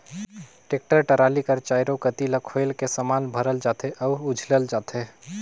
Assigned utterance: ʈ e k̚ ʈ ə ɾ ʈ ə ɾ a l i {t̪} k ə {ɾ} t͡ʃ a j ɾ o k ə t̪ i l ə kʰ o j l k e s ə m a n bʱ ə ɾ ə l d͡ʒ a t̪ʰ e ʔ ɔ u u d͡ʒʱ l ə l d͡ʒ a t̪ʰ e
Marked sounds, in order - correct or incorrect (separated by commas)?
incorrect, correct